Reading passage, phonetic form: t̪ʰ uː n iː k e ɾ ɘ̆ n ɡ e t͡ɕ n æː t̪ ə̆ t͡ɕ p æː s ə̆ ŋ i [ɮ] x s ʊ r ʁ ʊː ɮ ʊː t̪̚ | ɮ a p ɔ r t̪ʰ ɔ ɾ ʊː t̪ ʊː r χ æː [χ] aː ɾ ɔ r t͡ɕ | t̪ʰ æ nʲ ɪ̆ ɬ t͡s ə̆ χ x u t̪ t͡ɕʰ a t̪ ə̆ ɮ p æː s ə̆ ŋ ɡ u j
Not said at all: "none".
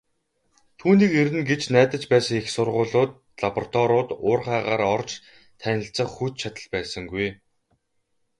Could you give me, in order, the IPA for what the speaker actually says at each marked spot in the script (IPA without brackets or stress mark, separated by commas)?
none, ʁ